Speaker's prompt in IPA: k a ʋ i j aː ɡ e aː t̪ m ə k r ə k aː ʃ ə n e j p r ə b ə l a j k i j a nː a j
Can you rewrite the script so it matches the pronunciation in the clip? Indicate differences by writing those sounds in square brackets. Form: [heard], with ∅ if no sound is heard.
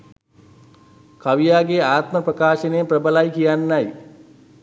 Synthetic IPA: k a ʋ i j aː ɡ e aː t̪ m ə [p] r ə k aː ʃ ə n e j p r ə b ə l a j k i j a nː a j